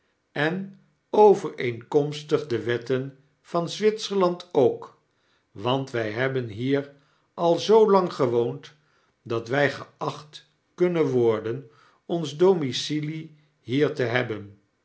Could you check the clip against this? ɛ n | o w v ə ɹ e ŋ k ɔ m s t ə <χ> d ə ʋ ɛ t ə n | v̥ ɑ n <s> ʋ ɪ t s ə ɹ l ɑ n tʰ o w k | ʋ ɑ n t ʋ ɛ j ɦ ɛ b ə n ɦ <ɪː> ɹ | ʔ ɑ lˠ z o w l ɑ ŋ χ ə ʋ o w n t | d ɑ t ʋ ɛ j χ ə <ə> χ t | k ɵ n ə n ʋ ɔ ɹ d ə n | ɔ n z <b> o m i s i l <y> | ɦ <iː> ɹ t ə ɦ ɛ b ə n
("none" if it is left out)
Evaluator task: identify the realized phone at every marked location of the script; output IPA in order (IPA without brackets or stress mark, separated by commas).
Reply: χ, z, iː, ɑ, d, i, iː